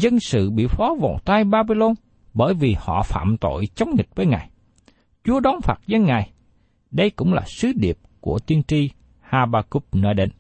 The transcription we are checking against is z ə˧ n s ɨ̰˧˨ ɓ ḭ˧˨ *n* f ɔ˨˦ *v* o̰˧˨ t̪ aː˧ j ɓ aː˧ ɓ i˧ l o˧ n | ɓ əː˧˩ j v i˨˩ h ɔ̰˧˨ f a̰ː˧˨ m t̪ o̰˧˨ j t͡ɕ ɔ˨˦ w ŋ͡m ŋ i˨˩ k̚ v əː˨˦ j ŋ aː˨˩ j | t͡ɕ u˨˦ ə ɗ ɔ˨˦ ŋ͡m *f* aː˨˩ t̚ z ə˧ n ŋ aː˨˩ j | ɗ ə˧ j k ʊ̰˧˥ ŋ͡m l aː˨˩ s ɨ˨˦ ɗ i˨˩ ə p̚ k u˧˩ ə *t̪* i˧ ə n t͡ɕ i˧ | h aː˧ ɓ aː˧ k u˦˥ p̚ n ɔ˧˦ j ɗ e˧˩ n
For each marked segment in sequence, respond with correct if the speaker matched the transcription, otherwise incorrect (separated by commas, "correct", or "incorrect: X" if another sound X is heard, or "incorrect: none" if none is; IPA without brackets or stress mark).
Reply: incorrect: none, correct, correct, correct